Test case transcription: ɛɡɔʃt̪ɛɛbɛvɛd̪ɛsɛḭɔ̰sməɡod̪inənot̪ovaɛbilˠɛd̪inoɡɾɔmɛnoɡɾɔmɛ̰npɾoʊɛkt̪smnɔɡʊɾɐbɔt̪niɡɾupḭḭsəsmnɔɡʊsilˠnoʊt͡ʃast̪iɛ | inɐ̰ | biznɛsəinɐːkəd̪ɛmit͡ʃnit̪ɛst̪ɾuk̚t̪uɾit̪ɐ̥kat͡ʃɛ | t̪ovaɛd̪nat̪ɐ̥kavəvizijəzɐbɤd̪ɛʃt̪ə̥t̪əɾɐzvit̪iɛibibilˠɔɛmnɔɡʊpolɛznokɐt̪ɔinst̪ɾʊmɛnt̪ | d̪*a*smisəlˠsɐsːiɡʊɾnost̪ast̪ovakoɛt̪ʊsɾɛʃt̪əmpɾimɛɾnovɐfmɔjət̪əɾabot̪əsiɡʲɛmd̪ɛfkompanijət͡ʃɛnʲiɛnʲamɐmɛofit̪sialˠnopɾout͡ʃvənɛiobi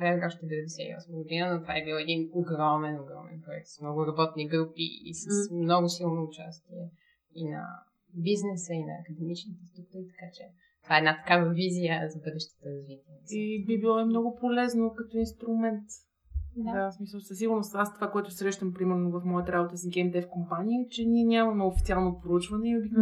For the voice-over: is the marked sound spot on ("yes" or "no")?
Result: yes